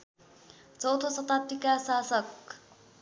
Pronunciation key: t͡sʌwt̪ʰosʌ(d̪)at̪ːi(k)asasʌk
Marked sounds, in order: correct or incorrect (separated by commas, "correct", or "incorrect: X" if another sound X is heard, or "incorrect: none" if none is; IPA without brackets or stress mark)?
incorrect: t̪, correct